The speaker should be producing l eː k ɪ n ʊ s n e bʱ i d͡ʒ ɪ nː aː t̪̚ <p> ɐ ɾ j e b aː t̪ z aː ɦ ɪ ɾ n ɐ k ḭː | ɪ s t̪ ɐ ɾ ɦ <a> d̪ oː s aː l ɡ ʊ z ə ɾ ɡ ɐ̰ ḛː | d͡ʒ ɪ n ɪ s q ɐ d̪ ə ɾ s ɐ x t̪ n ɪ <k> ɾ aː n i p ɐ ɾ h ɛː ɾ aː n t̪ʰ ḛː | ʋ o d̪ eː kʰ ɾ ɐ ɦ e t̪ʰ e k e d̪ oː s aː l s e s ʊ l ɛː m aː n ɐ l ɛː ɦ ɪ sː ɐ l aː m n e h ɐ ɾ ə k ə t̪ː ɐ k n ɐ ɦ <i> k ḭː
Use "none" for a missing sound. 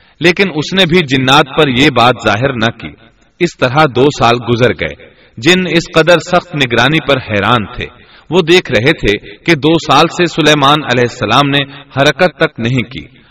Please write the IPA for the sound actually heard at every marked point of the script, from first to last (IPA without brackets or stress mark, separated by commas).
p, a, ɡ, ĩ